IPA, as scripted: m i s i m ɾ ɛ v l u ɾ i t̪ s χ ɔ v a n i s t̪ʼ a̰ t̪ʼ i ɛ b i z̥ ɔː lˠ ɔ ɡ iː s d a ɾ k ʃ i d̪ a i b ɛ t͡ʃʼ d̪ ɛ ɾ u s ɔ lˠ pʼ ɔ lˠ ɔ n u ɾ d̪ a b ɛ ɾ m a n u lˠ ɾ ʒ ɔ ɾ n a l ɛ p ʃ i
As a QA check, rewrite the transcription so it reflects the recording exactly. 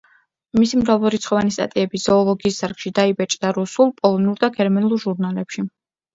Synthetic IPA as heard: m i s i m ɾ a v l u ɾ i t̪ s χ ɔ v a n i s t̪ʼ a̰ t̪ʼ i ɛ b i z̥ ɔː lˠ ɔ ɡ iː s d a ɾ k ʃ i d̪ a i b ɛ t͡ʃʼ d̪ a ɾ u s u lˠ pʼ ɔ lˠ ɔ n u ɾ d̪ a ɡ ɛ ɾ m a n u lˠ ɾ ʒ u ɾ n a l ɛ p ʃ i

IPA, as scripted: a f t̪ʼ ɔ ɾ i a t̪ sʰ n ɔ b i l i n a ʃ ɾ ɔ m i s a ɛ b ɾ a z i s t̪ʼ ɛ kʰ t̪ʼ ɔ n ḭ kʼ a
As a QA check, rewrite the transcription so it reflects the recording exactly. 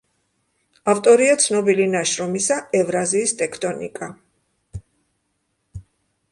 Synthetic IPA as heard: a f t̪ʼ ɔ ɾ i a t̪ sʰ n ɔ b i l i n a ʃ ɾ ɔ m i s a ɛ v ɾ a z iː s t̪ʼ ɛ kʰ t̪ʼ ɔ n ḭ kʼ a

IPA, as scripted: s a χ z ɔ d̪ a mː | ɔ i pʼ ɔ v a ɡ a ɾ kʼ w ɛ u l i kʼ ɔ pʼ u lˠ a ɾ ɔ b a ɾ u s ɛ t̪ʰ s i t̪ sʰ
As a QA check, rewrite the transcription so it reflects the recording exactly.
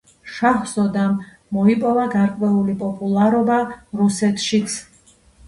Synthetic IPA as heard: ʃ a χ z ɔ d̪ a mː | ɔ i pʼ ɔ v a ɡ a ɾ kʼ w ɛ u l i pʼ ɔ pʼ u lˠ a ɾ ɔ b a ɾ u s ɛ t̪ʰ ʃ i t̪ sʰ

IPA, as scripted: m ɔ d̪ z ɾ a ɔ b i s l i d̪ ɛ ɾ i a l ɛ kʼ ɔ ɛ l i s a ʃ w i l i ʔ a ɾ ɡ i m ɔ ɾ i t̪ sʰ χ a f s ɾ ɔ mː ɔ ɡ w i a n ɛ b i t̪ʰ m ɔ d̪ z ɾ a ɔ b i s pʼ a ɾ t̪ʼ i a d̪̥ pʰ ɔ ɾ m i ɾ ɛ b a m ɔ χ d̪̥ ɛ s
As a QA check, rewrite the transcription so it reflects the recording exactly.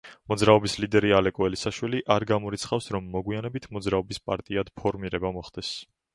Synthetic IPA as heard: m ɔ d̪ z ɾ a ɔ b i s l i d̪ ɛ ɾ i a l ɛ kʼ ɔ ɛ l i s a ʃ w i l i ʔ a ɾ ɡ a m ɔ ɾ i t̪ sʰ χ a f s ɾ ɔ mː ɔ ɡ w i a n ɛ b i t̪ʰ m ɔ d̪ z ɾ a ɔ b i s pʼ a ɾ t̪ʼ i a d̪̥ pʰ ɔ ɾ m i ɾ ɛ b a m ɔ χ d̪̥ ɛ s

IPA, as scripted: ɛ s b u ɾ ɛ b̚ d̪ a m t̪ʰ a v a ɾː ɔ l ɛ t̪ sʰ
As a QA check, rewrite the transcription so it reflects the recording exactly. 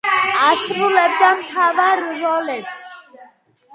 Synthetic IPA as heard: a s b u l ɛ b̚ d̪ a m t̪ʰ a v a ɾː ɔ l ɛ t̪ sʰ

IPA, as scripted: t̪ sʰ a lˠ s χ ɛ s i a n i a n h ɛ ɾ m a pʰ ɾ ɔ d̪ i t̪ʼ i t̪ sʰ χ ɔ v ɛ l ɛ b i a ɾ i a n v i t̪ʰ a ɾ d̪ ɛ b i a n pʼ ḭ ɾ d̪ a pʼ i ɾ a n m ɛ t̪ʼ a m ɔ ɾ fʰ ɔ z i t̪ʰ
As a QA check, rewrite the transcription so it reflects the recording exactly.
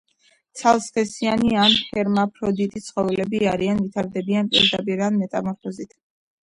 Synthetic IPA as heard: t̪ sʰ a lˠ s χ ɛ s i a n i a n h ɛ ɾ m a pʰ ɾ ɔ d̪ i t̪ʼ i t̪ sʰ χ ɔ v ɛ l ɛ b i a ɾ i a n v i t̪ʰ a ɾ d̪ ɛ b i a n pʼ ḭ ɾ d̪ a pʼ i ɾ a n m ɛ t̪ʼ a m ɔ ɾ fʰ ɔ z i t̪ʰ

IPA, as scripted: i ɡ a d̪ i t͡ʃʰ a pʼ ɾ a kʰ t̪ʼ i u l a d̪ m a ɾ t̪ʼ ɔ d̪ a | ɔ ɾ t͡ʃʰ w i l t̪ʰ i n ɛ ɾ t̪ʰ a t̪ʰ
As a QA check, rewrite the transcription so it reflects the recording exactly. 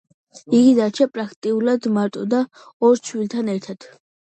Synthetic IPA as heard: i ɡ i d̪ a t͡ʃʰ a pʼ ɾ a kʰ t̪ʼ i u l a d̪ m a ɾ t̪ʼ ɔ d̪ a | ɔ ɾ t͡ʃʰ w i l t̪ʰ a n ɛ ɾ t̪ʰ a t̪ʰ

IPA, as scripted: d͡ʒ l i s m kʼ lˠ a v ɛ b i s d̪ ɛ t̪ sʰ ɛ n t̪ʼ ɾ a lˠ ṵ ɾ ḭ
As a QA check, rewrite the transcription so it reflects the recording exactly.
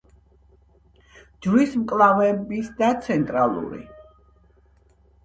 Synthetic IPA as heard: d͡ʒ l i s m kʼ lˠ a v ɛ b i s d̪ a t̪ sʰ ɛ n t̪ʼ ɾ a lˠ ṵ ɾ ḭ

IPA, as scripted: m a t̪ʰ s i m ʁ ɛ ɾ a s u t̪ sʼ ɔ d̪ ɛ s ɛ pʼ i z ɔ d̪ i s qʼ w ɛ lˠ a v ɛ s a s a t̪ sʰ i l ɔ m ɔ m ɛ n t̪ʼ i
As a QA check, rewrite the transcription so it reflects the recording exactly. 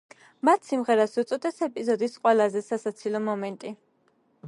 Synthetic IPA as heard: m a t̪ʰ s i m ʁ ɛ ɾ a s u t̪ sʼ ɔ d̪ ɛ s ɛ pʼ i z ɔ d̪ i s qʼ w ɛ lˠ a z ɛ s a s a t̪ sʰ i l ɔ m ɔ m ɛ n t̪ʼ i

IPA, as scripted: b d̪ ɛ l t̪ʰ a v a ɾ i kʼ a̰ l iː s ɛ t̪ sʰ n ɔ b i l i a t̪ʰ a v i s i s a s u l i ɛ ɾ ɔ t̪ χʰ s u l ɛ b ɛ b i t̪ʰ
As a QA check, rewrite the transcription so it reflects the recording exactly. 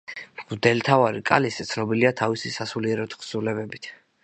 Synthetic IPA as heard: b d̪ ɛ l t̪ʰ a v a ɾ i kʼ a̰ l i s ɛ t̪ sʰ n ɔ b i l i a t̪ʰ a v i s i s a s u l i ɛ ɾ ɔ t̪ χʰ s u l ɛ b ɛ b i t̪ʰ

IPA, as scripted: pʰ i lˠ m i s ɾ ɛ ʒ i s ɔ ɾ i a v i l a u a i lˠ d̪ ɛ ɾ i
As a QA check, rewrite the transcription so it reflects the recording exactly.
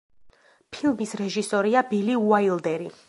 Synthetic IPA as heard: pʰ i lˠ m i s ɾ ɛ ʒ i s ɔ ɾ i a b i l i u a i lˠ d̪ ɛ ɾ i

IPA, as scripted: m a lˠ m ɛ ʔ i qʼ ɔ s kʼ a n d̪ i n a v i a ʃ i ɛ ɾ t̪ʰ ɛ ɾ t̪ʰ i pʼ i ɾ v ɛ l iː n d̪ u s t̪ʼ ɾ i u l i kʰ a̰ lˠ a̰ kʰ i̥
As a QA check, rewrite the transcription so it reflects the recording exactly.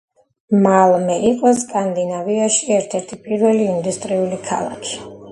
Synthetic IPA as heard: m a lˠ m ɛ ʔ i qʼ ɔ s kʼ a n d̪ i n a v i a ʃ i ɛ ɾ t̪ʰ ɛ ɾ t̪ʰ i pʼ i ɾ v ɛ l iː n d̪ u s t̪ʼ ɾ i u l i kʰ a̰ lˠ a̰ kʰ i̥

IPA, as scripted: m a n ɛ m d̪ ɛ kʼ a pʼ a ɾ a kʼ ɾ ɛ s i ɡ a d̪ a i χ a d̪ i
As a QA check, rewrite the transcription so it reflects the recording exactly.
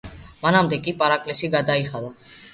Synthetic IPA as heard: m a n a m d̪ ɛ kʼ i pʼ a ɾ a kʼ l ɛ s i ɡ a d̪ a i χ a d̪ a

